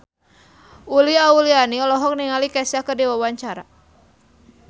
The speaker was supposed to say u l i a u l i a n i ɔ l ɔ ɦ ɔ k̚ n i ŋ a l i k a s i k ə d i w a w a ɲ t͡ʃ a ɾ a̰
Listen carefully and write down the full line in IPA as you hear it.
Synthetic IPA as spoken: u l i a u l i a n i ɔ l ɔ ɦ ɔ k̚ n i ŋ a l i k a s a k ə d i w a w a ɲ t͡ʃ a ɾ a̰